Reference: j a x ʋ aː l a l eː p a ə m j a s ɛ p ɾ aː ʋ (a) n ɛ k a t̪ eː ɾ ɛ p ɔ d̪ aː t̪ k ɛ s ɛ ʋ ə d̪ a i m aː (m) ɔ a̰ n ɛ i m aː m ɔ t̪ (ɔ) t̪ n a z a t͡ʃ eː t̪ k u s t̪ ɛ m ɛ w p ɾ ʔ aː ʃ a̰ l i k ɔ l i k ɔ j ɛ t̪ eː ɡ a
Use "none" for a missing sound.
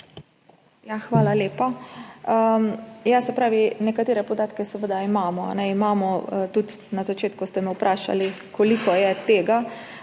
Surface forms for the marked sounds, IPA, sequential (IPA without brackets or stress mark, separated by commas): i, m, u